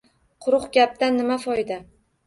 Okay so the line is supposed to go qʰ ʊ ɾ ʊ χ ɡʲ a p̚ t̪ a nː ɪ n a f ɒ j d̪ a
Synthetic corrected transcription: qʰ ʊ ɾ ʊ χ ɡʲ a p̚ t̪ a nː ɪ m a f ɒ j d̪ a